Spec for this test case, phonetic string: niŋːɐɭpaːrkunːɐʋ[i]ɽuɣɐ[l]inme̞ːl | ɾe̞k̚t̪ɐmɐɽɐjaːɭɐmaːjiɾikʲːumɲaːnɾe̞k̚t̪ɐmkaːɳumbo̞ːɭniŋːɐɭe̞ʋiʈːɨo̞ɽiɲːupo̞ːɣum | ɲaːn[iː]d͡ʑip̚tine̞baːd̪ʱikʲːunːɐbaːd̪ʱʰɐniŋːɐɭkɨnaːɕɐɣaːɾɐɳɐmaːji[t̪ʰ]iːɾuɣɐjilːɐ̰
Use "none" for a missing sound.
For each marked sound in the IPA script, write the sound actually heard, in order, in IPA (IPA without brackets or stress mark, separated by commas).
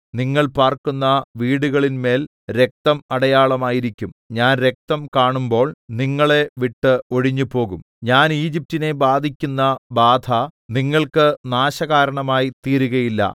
iː, ɭ, iː, t̪